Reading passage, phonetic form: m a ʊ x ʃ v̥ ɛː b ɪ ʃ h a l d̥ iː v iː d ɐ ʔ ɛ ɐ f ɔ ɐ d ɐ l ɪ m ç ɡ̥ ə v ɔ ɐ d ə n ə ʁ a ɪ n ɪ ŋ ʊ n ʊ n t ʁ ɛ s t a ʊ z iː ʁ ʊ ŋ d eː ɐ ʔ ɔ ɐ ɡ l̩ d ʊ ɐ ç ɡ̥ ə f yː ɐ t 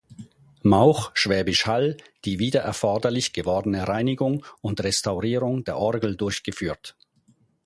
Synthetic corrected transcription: m a ʊ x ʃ v̥ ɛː b ɪ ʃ h a l d̥ iː v iː d ɐ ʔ ɛ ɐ f ɔ ɐ d ɐ l ɪ ç ɡ̥ ə v ɔ ɐ d ə n ə ʁ a ɪ n ɪ ɡ ʊ ŋ ʊ n t ʁ ɛ s t a ʊ ʁ iː ʁ ʊ ŋ d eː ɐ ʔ ɔ ɐ ɡ l̩ d ʊ ɐ ç ɡ̥ ə f yː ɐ t